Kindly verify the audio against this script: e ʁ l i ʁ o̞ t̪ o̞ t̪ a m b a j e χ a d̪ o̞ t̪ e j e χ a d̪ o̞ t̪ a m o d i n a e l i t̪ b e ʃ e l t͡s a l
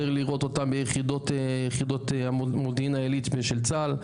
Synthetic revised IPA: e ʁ l i ʁ o̞ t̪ o̞ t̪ a m b e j e χ i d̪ o̞ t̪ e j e χ i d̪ o̞ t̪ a m o d i n a e l i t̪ b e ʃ e l t͡s a l

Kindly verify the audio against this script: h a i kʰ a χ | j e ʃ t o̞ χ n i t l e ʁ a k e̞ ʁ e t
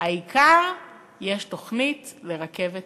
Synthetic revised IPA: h a i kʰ a ʁ | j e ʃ t o̞ χ n i t l e ʁ a k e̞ v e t

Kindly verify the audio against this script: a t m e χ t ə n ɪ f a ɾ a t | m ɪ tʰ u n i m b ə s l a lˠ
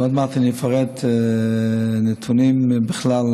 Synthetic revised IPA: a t m a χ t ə n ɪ f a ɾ ɛ t | n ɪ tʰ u n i m b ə χ l a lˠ

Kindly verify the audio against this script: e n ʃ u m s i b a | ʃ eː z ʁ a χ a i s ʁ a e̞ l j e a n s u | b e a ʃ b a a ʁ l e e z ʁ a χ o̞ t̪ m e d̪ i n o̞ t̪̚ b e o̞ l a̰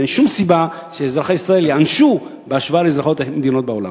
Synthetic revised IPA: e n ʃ u m s i b a | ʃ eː z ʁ a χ a i s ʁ a e̞ l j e a n ʃ u | b e a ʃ v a a l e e z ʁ a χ o̞ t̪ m e d̪ i n o̞ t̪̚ b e o̞ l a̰

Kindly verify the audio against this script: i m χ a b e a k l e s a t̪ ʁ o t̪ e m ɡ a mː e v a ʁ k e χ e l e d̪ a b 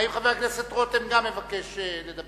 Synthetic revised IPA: i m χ a v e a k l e s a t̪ ʁ o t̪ e m ɡ a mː e v a k e ʃ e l e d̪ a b

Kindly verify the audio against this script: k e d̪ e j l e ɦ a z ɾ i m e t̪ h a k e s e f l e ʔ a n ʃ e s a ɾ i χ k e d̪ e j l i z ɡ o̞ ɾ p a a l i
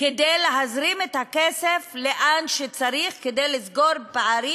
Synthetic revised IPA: k e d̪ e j l e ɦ a z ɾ i m e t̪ h a k e s e f l e ʔ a n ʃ e t͡s a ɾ i χ k e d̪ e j l i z ɡ o̞ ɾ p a a ɾ i

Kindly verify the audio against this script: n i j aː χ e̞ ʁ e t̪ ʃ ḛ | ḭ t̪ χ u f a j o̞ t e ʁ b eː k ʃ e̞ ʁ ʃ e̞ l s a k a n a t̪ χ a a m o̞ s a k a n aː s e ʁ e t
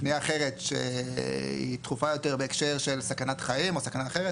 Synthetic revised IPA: n i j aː χ e̞ ʁ e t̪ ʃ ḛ | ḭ t̪ χ u f a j o̞ t e ʁ b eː k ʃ e̞ ʁ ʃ e̞ l s a k a n a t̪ χ a i m o̞ s a k a n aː χ e ʁ e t

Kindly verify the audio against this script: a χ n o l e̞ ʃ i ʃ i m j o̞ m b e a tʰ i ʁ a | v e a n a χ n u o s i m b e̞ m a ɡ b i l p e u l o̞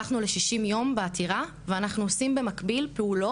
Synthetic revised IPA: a χ n u l e̞ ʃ i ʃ i m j o̞ m b e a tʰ i ʁ a | v e a n a χ n u o s i m b e̞ m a k b i l p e u l o̞

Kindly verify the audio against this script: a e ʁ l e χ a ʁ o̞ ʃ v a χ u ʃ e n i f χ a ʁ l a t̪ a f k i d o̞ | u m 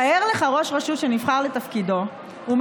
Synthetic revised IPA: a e ʁ l e χ a ʁ o̞ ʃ ʁ a ʃ u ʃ e n i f χ a ʁ l e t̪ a f k i d o̞ | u m

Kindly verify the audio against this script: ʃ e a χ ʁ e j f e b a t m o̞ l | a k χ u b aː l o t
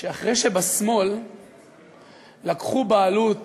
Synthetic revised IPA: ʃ e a χ ʁ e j ʃ e b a s m o̞ l | a k χ u b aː l u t

